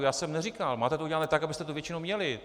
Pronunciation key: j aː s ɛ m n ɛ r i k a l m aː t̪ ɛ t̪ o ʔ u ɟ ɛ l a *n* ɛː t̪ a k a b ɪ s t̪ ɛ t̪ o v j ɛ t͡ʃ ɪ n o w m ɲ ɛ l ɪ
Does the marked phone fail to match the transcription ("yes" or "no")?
no